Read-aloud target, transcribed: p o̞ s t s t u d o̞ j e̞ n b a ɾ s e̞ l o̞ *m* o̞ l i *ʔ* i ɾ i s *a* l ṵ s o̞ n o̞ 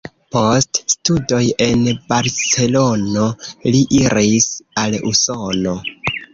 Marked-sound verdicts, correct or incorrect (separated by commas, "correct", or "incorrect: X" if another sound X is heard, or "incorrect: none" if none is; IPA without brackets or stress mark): incorrect: n, correct, correct